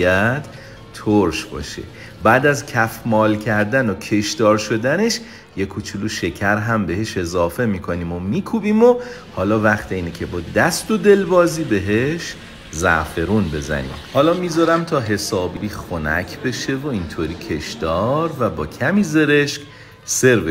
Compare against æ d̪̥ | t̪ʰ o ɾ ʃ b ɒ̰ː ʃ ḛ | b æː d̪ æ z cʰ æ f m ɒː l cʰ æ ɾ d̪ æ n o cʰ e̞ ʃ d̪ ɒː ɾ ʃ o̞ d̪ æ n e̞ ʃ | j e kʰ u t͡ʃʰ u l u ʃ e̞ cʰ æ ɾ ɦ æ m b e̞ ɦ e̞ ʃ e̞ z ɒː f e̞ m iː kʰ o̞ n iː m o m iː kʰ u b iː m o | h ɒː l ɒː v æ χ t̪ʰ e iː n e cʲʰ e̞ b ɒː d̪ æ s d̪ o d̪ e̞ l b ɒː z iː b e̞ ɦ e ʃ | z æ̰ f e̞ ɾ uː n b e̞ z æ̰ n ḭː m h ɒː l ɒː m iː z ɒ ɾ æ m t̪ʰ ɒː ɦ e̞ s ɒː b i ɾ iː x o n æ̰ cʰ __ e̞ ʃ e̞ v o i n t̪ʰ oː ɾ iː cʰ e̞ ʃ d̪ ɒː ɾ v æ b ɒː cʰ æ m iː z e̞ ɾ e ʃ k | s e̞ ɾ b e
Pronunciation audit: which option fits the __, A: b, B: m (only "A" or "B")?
A